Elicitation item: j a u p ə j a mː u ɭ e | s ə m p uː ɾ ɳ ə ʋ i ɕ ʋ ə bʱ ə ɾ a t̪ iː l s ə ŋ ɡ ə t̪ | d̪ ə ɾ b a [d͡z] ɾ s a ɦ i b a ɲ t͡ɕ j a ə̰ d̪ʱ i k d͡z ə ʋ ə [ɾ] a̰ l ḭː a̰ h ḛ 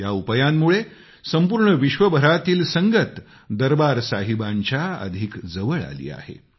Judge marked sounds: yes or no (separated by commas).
no, no